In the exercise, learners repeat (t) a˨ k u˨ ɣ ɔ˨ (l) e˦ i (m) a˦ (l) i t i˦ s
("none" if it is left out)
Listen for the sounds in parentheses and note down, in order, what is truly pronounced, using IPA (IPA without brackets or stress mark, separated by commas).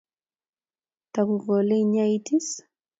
t, l, ɲ, none